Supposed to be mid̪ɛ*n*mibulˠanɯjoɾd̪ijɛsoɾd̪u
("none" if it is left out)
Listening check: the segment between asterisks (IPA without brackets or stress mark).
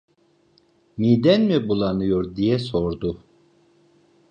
n